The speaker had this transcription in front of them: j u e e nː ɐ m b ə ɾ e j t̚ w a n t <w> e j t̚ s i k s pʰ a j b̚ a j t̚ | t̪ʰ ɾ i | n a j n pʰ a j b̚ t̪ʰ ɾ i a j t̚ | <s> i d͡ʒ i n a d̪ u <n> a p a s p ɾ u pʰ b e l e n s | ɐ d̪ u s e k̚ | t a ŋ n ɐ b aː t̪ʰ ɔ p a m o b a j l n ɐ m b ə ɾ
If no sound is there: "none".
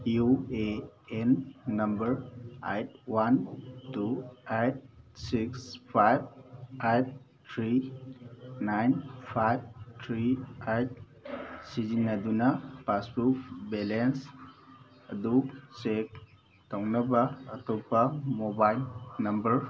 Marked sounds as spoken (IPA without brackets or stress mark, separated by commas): u, s, n